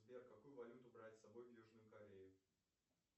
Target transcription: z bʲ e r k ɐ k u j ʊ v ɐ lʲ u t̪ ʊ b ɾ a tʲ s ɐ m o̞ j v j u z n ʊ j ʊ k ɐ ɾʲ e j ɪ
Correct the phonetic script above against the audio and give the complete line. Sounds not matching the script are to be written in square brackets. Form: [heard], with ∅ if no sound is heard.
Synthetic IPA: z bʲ e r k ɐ k u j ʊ v ɐ lʲ u t̪ ʊ b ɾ a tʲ s ɐ [b] o̞ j v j u [ʐ] n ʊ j ʊ k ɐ ɾʲ e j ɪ